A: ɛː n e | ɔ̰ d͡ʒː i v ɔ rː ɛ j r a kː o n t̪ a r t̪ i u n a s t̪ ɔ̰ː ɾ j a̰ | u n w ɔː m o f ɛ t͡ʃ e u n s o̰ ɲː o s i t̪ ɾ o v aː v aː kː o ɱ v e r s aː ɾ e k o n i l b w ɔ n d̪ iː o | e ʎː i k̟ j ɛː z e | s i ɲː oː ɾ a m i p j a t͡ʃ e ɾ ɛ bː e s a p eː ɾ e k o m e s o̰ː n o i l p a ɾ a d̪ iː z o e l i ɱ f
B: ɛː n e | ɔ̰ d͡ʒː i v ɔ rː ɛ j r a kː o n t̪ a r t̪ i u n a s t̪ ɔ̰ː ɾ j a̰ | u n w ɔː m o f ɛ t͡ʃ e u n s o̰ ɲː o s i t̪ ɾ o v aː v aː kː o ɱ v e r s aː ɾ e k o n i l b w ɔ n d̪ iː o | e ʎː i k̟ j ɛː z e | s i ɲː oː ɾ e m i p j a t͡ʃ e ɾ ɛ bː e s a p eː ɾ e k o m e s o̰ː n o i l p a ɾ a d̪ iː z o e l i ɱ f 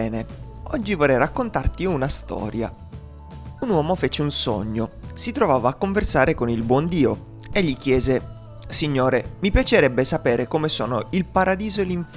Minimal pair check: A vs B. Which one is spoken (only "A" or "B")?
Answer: B